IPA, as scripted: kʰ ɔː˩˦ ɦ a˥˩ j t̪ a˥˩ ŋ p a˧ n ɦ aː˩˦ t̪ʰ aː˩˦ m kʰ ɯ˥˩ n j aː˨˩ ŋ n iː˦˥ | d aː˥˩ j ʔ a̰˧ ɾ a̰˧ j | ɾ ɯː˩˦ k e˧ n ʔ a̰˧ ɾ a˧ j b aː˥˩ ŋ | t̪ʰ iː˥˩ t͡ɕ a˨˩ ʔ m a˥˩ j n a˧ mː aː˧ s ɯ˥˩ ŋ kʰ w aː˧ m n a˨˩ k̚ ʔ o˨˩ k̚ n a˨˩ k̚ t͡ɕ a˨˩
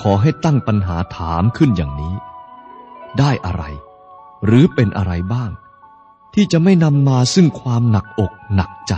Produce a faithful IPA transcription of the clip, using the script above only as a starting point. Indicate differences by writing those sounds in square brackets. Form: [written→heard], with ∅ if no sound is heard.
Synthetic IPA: kʰ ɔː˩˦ ɦ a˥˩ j t̪ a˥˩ ŋ p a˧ n ɦ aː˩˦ t̪ʰ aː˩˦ m kʰ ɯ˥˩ n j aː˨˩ ŋ n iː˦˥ | d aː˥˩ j ʔ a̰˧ ɾ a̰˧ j | ɾ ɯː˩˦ [k→p] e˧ n ʔ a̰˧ ɾ a˧ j b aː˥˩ ŋ | t̪ʰ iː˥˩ t͡ɕ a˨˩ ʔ m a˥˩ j n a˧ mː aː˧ s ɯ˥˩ ŋ kʰ w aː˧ m n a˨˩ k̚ ʔ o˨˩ k̚ n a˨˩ k̚ t͡ɕ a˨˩